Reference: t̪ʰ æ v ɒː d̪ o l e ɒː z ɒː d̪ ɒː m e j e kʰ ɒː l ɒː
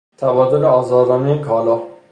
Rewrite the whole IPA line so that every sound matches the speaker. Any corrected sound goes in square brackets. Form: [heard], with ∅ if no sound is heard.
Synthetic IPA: t̪ʰ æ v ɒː d̪ o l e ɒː z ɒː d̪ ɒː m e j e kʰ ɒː l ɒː